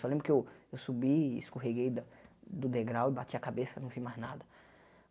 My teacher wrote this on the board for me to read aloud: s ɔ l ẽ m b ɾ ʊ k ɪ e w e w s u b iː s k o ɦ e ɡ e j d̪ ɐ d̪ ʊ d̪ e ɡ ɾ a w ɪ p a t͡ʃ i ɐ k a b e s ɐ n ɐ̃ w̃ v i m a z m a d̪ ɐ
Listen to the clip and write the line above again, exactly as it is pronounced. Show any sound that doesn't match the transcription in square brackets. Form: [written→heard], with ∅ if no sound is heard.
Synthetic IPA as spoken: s ɔ l ẽ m b ɾ ʊ k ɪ e w e w s u b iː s k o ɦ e ɡ e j d̪ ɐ d̪ ʊ d̪ e ɡ ɾ a w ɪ [p→b] a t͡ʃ i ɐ k a b e s ɐ n ɐ̃ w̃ v i m a z [m→n] a d̪ ɐ